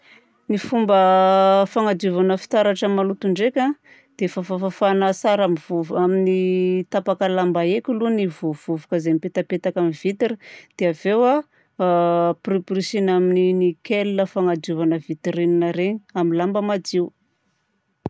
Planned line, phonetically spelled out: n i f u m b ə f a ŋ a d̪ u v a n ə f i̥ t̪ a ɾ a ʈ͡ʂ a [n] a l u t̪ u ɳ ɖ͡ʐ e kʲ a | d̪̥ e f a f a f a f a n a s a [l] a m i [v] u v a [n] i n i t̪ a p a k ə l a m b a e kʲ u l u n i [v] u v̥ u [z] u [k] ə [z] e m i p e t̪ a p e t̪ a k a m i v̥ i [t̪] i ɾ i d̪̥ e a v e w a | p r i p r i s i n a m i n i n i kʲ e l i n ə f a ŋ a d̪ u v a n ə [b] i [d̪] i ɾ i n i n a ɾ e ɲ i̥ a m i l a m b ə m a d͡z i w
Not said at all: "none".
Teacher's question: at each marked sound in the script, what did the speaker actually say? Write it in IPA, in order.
m, ɾ, v, m, v, v, k, z, t̪, v, t̪

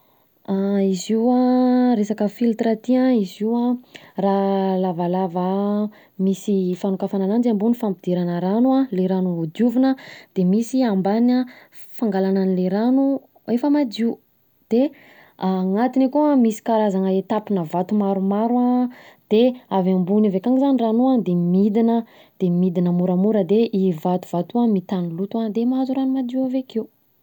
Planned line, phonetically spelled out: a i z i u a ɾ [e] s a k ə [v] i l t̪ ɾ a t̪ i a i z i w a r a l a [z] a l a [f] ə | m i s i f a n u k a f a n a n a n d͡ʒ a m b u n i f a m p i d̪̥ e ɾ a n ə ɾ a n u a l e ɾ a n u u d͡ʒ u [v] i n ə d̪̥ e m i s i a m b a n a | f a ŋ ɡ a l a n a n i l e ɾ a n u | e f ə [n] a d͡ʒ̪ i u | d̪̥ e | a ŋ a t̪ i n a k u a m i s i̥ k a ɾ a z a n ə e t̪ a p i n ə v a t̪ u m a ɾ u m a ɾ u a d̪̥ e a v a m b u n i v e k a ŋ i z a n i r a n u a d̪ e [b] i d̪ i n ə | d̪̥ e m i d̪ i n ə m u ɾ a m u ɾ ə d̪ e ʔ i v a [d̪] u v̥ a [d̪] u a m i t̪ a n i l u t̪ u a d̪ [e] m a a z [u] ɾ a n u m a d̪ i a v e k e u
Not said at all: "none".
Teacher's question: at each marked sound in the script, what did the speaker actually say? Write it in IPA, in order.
e, f, v, v, v, m, m, t̪, t̪, e, u

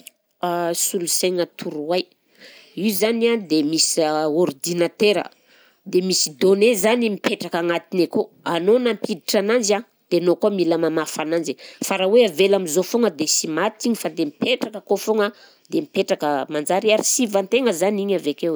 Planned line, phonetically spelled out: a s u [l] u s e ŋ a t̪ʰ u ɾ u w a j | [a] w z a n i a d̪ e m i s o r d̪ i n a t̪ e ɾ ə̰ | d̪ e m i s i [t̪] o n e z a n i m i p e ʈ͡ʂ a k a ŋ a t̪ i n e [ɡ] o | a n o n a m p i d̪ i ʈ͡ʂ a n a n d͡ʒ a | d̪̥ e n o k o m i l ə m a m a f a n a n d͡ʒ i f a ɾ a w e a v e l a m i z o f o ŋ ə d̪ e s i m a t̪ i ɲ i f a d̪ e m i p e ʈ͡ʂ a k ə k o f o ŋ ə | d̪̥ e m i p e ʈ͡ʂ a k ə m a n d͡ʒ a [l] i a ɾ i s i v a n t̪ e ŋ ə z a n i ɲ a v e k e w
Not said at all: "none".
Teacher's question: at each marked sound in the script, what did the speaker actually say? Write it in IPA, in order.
l, i, d̪, k, ɾ

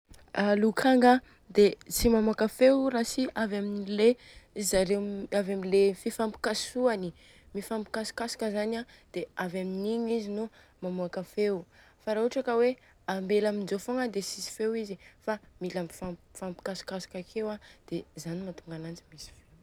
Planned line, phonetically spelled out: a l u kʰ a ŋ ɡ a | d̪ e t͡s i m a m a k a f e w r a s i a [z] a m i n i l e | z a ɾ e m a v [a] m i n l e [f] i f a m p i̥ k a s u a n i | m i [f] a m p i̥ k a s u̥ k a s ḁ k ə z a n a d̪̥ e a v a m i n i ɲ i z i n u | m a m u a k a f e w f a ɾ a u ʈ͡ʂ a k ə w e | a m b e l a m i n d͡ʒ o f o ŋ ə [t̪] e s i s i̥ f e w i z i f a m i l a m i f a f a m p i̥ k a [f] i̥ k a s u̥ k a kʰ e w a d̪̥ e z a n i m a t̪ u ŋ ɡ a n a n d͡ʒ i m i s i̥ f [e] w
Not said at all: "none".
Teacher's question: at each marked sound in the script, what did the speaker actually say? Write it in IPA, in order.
v, a, f, f, d̪, s, e

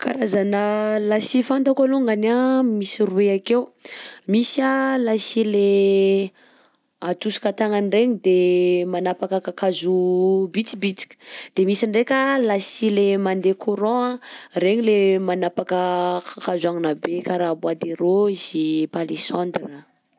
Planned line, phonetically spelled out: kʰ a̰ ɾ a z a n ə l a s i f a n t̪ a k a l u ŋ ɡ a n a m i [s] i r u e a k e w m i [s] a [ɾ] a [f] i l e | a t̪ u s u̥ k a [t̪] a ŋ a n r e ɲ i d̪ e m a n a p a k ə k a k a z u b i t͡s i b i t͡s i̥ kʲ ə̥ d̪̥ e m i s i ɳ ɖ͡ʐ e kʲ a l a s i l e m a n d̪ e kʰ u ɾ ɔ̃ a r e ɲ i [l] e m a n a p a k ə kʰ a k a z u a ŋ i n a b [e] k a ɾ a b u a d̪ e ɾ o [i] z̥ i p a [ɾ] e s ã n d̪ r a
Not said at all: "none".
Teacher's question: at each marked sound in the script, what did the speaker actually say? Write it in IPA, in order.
s, s, l, s, t̪, l, e, i, l

